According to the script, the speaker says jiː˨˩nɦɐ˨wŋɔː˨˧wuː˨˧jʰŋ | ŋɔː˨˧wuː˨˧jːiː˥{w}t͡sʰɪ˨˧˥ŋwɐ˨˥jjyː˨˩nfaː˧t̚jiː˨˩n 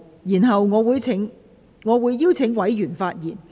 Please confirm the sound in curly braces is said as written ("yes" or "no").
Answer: yes